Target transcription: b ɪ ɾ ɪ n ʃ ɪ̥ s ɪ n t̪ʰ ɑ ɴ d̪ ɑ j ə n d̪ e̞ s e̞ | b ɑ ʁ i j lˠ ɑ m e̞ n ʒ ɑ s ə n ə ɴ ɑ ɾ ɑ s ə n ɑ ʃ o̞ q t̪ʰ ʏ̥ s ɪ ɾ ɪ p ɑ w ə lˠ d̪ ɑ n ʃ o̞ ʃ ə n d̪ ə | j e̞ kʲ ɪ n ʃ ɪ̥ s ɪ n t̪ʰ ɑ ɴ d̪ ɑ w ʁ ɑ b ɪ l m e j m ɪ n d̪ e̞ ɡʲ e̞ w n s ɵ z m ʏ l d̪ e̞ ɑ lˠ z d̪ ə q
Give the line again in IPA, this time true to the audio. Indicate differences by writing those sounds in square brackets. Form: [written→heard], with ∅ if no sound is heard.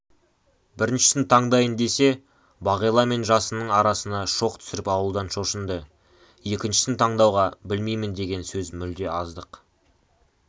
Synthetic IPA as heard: b ɪ ɾ ɪ n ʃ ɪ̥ s ɪ n t̪ʰ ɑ ɴ d̪ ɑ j ə n d̪ e̞ s e̞ | b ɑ ʁ i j lˠ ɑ m e̞ n ʒ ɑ s ə n ə ɴ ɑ ɾ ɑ s ə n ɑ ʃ o̞ q t̪ʰ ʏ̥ s ɪ ɾ ɪ p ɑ w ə lˠ d̪ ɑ n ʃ o̞ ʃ ə n d̪ ə | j e̞ kʲ ɪ n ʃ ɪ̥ s ɪ n t̪ʰ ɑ ɴ d̪ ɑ w ʁ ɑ b ɪ l m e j m ɪ n d̪ e̞ ɡʲ e̞ [w→∅] n s ɵ z m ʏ l d̪ e̞ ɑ [lˠ→∅] z d̪ ə q